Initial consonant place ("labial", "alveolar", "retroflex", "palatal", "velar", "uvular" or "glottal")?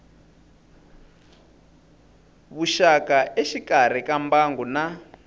labial